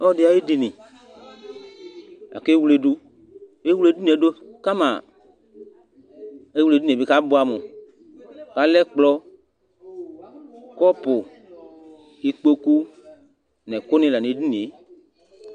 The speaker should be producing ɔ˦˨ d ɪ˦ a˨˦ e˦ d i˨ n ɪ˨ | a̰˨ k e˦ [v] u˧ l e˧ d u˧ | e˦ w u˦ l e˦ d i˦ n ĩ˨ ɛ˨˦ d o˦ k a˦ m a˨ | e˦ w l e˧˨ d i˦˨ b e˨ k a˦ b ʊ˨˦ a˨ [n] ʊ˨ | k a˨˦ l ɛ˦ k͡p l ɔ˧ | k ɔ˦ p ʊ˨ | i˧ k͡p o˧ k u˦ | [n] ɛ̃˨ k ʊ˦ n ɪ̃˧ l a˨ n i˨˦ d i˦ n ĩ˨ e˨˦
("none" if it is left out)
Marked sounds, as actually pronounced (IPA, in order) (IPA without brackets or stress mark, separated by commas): w, m, n